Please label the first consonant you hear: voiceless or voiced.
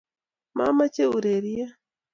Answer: voiced